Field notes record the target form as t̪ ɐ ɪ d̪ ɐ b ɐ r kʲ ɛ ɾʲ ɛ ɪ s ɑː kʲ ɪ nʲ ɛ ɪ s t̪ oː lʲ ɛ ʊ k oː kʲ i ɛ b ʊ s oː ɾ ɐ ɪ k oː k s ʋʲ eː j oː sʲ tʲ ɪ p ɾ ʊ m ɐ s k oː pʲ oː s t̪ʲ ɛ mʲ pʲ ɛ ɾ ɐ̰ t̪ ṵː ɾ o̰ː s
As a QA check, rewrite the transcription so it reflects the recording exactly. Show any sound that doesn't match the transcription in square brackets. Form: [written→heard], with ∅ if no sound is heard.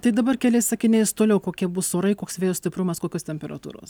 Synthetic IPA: t̪ ɐ ɪ d̪ ɐ b ɐ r kʲ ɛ [ɾʲ→lʲ] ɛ ɪ s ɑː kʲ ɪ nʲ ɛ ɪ s t̪ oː lʲ ɛ ʊ k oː kʲ i ɛ b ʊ s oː ɾ ɐ ɪ k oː k s ʋʲ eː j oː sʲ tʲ ɪ p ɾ ʊ m ɐ s k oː [pʲ→kʲ] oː s t̪ʲ ɛ mʲ pʲ ɛ ɾ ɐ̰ t̪ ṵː ɾ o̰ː s